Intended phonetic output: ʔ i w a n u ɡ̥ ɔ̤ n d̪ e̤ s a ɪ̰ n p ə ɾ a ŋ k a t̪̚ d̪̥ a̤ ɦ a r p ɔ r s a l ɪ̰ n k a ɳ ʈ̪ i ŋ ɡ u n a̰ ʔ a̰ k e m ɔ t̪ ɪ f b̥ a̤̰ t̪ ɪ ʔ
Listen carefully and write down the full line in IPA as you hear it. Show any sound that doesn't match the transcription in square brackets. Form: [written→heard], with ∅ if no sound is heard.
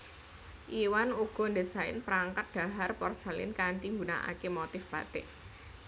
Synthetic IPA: ʔ i w a n u ɡ̥ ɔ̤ n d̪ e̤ s a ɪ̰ n p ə ɾ a ŋ k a t̪̚ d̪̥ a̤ ɦ a r p ɔ r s a l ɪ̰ n k a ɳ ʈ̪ i ŋ ɡ u n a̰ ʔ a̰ k e m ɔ t̪ ɪ f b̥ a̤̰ t̪ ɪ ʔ